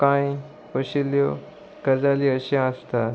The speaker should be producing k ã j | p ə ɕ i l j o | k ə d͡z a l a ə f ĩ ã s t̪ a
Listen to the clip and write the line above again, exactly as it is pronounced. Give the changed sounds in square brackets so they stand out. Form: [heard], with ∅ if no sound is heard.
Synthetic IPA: k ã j | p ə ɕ i l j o | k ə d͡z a l [i] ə [ɕ] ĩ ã s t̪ a